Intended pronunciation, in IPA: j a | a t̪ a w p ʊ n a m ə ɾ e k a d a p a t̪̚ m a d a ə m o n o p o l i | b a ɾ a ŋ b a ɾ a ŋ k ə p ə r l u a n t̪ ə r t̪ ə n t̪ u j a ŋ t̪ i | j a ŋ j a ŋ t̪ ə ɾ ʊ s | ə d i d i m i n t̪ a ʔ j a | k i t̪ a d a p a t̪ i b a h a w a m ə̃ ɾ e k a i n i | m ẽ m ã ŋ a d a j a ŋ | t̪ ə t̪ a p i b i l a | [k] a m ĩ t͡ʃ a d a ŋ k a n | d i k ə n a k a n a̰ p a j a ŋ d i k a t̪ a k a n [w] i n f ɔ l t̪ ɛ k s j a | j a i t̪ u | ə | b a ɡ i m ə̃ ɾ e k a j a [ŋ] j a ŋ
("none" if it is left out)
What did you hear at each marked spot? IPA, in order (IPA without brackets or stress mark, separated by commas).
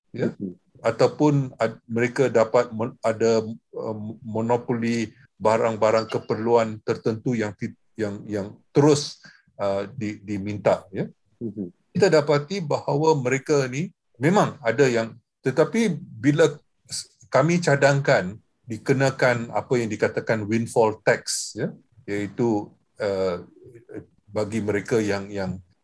k, w, ŋ